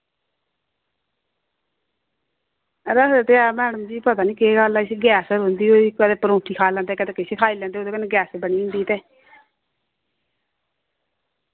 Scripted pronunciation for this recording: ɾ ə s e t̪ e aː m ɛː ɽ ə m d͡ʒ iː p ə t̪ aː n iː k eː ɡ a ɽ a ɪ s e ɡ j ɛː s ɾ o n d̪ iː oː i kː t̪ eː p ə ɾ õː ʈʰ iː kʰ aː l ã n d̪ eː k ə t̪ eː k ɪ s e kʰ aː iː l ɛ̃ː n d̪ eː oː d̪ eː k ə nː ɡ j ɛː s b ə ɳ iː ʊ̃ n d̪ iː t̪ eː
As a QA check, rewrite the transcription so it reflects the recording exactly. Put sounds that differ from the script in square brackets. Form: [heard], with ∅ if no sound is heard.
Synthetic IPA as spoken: ɾ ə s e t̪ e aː m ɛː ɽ ə m d͡ʒ iː p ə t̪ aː n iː k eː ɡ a [l] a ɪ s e ɡ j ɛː s ɾ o n d̪ iː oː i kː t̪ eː p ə ɾ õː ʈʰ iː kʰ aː l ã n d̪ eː k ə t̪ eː k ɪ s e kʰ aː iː l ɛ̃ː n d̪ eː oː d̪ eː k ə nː ɡ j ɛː s b ə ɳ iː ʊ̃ n d̪ iː t̪ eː